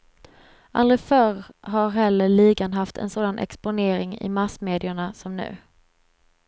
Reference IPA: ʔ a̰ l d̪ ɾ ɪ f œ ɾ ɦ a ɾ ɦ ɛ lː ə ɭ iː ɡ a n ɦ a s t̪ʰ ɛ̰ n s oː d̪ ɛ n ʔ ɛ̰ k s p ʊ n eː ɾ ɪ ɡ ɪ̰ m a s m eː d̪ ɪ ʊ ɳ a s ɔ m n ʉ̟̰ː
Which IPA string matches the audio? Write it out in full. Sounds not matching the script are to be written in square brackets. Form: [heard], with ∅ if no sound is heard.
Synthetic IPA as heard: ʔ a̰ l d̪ ɾ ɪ f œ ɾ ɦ a ɾ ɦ ɛ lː ə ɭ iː ɡ a n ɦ a [f] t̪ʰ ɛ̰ n s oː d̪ [a] n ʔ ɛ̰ k s p ʊ n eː ɾ ɪ [ŋ] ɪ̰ m a s m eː d̪ ɪ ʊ ɳ a s ɔ m n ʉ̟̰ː